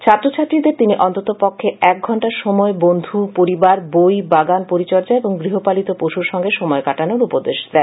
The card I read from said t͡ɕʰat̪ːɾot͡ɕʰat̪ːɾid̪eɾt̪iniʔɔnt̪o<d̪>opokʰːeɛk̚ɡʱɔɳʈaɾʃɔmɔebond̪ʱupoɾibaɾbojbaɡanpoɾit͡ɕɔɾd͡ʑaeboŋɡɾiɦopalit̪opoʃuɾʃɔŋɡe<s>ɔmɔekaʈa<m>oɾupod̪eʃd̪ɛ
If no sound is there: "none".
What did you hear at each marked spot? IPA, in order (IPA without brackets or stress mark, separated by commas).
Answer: t̪, ʃ, n